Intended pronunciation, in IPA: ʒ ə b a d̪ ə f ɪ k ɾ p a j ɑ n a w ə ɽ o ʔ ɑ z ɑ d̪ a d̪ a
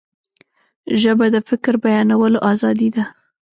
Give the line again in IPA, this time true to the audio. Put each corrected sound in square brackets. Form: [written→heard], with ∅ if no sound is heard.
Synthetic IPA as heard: ʒ ə b a d̪ ə f ɪ k ɾ [p→b] a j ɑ n a w ə [ɽ→l] o ʔ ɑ z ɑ d̪ [a→i] d̪ a

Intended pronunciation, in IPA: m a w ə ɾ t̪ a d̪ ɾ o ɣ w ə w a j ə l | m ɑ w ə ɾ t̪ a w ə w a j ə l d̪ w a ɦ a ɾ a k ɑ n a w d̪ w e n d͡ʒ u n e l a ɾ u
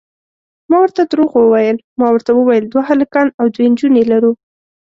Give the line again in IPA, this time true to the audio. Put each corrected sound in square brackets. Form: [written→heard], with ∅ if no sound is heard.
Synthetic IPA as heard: m [a→ɑ] w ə ɾ t̪ a d̪ ɾ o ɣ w ə w a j ə l | m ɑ w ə ɾ t̪ a w ə w a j ə l d̪ w a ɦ a [ɾ→l] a k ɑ n a w d̪ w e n d͡ʒ u n e l a ɾ u

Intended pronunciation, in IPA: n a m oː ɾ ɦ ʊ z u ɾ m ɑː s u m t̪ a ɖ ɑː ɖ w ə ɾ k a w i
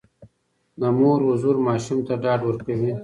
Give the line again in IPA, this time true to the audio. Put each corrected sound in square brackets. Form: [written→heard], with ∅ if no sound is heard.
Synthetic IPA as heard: n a m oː ɾ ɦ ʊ z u ɾ m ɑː [s→ʃ] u m t̪ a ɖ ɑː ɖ w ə ɾ k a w i

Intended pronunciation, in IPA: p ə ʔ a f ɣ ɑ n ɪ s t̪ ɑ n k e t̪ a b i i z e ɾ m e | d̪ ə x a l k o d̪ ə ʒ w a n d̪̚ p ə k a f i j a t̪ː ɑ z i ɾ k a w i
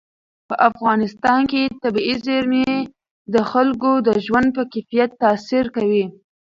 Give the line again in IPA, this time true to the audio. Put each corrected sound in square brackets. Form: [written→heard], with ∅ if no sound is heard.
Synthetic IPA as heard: p ə ʔ a f ɣ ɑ n ɪ s t̪ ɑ n k e t̪ a b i i z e ɾ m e | d̪ ə x a l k o d̪ ə ʒ w a n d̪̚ p ə k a f i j a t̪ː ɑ [z→s] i ɾ k a w i

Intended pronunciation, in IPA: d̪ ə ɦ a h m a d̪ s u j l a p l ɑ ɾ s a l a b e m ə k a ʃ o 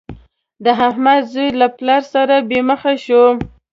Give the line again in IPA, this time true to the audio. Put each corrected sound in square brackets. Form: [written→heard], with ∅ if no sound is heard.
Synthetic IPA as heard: d̪ ə ɦ a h m a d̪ [s→z] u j l a p l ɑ ɾ s a [l→ɾ] a b e m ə [k→x] a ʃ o

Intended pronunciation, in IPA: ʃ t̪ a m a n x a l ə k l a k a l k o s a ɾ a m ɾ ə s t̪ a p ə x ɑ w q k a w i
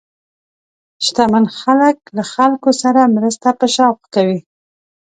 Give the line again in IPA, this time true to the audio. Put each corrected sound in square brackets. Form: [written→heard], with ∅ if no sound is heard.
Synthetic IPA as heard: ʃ t̪ a m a n x a l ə k l a [k→x] a l k o s a ɾ a m ɾ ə s t̪ a p ə [x→ʃ] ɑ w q k a w i

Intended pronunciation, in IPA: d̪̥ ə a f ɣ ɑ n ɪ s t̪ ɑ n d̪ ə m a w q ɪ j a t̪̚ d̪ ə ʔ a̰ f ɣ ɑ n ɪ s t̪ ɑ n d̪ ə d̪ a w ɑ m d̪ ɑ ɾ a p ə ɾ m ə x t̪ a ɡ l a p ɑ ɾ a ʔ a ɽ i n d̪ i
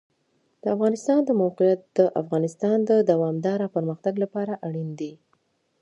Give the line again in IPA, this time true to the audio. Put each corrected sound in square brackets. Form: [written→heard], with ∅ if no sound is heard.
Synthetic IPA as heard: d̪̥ ə a f ɣ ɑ n ɪ s t̪ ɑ n d̪ ə m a w q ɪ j a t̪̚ d̪ ə ʔ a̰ f ɣ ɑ n ɪ s t̪ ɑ n d̪ ə d̪ a w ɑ m d̪ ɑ ɾ a p ə ɾ m ə x t̪ a ɡ l a p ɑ ɾ a ʔ a ɽ i n d̪ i

